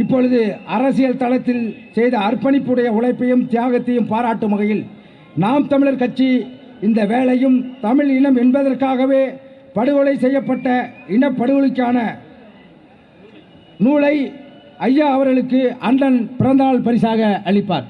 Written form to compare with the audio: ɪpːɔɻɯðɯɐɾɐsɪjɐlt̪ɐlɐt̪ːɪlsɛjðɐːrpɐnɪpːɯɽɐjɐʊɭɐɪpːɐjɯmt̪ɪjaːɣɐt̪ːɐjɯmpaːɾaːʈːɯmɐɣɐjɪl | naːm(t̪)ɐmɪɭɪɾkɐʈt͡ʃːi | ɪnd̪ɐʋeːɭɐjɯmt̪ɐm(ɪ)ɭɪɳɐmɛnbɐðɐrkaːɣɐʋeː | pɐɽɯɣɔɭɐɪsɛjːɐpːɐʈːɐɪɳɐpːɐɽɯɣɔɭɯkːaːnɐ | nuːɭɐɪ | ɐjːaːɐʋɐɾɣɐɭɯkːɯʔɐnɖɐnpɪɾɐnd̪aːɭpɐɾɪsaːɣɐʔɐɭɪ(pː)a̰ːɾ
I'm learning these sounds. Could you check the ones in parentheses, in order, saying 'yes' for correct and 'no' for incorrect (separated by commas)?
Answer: yes, yes, yes